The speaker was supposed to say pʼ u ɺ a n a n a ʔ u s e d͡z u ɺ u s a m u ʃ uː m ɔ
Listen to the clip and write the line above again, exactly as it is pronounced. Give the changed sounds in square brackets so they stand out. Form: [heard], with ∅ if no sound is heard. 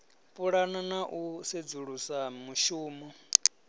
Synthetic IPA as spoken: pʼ u ɺ a n a n a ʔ u s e d͡z u ɺ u s a m u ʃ uː m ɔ